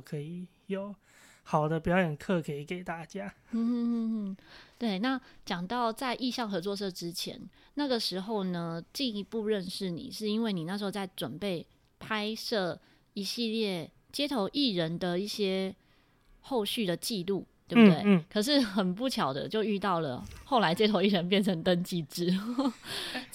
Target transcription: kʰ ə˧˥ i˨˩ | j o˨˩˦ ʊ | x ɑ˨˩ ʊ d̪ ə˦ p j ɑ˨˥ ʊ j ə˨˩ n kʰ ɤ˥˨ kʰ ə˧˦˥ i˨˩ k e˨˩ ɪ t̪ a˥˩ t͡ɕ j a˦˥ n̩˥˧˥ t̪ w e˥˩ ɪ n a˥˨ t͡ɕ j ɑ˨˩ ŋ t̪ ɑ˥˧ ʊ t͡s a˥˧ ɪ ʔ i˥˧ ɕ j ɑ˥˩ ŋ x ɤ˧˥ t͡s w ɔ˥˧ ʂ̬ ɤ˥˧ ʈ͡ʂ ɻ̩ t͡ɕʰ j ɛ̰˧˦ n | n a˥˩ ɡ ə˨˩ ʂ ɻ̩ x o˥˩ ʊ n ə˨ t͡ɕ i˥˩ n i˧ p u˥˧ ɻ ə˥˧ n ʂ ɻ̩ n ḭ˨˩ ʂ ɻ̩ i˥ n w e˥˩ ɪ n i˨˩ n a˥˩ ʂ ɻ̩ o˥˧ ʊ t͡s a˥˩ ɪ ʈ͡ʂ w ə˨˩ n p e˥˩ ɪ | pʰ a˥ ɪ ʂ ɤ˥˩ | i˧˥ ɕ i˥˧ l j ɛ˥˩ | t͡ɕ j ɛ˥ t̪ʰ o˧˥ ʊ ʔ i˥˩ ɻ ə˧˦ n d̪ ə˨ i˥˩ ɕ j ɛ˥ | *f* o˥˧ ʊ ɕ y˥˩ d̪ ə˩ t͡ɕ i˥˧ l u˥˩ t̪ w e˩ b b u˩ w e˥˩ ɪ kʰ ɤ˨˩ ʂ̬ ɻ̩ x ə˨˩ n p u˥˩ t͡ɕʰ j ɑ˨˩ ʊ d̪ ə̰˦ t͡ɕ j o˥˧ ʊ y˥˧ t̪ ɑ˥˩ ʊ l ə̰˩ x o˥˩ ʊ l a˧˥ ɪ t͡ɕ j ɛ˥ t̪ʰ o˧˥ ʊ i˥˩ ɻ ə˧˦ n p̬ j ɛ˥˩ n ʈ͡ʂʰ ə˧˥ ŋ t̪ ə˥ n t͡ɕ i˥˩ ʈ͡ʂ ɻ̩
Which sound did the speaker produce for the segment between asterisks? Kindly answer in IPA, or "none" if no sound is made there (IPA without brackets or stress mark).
x